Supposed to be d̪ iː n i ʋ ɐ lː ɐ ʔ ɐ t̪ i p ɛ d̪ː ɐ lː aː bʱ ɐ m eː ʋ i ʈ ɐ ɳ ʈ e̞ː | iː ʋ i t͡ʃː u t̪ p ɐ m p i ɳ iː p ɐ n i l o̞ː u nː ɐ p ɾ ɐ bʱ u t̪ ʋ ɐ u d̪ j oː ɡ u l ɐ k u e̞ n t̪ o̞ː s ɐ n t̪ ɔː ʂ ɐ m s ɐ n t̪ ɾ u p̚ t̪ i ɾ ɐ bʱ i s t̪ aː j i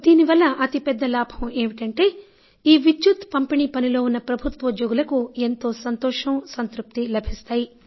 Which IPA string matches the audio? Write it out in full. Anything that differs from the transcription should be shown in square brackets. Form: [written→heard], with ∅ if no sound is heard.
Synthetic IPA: d̪ iː n i ʋ ɐ lː ɐ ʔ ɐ t̪ i p ɛ d̪ː ɐ [lː→l] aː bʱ ɐ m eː ʋ i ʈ ɐ ɳ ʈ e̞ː | iː ʋ i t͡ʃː u t̪ p ɐ m p i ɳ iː p ɐ n i l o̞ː u nː ɐ p ɾ ɐ bʱ u t̪ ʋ ɐ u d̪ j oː ɡ u l ɐ k u e̞ n t̪ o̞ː s ɐ n t̪ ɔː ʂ ɐ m s ɐ n t̪ ɾ u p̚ t̪ i [ɾ→l] ɐ bʱ i s t̪ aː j i